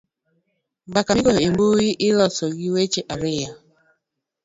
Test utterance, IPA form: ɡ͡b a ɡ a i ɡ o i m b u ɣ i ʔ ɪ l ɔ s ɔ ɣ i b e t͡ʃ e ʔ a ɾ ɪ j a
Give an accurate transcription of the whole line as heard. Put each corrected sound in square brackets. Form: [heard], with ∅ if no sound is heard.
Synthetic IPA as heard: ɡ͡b a [k] a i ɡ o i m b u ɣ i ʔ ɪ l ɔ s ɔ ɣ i [w] e t͡ʃ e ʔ a ɾ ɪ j a